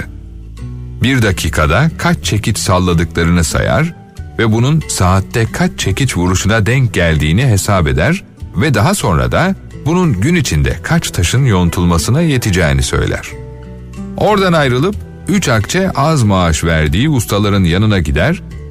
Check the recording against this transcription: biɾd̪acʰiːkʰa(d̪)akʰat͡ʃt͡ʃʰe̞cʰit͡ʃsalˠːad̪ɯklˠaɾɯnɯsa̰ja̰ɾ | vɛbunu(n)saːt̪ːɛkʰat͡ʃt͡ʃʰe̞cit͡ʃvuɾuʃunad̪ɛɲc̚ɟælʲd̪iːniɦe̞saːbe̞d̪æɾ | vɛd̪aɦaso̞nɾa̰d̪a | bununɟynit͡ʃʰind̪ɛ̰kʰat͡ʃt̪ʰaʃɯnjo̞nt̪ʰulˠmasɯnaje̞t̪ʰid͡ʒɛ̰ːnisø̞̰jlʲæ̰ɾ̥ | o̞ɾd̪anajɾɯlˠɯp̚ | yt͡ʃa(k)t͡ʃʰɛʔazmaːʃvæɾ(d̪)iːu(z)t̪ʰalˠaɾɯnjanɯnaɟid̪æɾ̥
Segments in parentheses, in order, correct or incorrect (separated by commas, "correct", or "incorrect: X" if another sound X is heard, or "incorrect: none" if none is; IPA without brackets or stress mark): correct, correct, correct, correct, incorrect: s